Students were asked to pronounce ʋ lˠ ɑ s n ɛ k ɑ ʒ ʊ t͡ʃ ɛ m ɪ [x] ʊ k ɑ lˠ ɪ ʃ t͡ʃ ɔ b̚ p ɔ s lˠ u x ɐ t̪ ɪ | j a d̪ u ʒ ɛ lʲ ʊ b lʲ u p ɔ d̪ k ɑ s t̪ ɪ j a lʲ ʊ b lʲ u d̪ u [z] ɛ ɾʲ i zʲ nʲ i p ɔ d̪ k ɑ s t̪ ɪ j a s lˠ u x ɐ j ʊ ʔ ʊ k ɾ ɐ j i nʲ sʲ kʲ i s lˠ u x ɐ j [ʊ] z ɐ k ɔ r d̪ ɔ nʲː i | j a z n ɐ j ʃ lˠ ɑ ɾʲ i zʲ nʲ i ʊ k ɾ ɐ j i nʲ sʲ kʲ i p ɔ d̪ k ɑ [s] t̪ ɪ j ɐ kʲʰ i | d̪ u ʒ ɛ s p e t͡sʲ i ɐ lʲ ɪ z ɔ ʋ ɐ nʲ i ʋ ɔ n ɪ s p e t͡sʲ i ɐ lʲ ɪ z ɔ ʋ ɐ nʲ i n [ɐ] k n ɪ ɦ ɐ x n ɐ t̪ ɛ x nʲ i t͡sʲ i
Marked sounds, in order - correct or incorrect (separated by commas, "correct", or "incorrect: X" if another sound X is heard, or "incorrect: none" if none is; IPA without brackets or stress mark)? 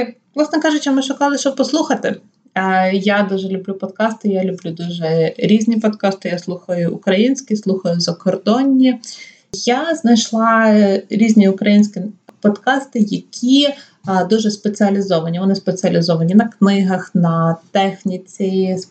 incorrect: ʃ, incorrect: ʒ, correct, correct, correct